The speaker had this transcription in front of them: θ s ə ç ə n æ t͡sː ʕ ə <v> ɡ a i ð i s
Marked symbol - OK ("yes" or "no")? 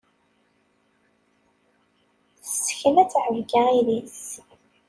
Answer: yes